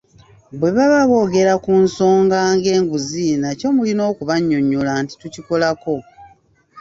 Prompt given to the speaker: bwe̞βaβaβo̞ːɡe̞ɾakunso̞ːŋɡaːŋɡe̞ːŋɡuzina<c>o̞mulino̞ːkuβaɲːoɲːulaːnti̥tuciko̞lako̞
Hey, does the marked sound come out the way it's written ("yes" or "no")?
yes